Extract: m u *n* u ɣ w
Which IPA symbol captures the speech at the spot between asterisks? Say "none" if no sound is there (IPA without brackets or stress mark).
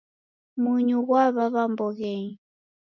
ɲ